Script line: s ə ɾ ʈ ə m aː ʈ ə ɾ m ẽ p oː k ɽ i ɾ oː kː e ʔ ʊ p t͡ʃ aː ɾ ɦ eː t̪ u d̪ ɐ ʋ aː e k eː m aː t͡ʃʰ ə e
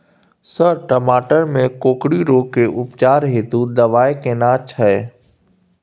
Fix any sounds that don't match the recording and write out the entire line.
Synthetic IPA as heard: s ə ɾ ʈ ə m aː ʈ ə ɾ m ẽ k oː k ɽ i ɾ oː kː e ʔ ʊ p t͡ʃ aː ɾ ɦ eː t̪ u d̪ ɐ ʋ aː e k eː n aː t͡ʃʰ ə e